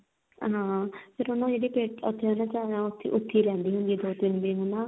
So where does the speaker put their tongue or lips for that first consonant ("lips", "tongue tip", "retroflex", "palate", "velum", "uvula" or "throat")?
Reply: throat